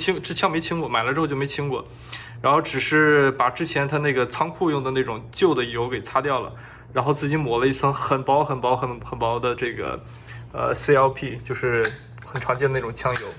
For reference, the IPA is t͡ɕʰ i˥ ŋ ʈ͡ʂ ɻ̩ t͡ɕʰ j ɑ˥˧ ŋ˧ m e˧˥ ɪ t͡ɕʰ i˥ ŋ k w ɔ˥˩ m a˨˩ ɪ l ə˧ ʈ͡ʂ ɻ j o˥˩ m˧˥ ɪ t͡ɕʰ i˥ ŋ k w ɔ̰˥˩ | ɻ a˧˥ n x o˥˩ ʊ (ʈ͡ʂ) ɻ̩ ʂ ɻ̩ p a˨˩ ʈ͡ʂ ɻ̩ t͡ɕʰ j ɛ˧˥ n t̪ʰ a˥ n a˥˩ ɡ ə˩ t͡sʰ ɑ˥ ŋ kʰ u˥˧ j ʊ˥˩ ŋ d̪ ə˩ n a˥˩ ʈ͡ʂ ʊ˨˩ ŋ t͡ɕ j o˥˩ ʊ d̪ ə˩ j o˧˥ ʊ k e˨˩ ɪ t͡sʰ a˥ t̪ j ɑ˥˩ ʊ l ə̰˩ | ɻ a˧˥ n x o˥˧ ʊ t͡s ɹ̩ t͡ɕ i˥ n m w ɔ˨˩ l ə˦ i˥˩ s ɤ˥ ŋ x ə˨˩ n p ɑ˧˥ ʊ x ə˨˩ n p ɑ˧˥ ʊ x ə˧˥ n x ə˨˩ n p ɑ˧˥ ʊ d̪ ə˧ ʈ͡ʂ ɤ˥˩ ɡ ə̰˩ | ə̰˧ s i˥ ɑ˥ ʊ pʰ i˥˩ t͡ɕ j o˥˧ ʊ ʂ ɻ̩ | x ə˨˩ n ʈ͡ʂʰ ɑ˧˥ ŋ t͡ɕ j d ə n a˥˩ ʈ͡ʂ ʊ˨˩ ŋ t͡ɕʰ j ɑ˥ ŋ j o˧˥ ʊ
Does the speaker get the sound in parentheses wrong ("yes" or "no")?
no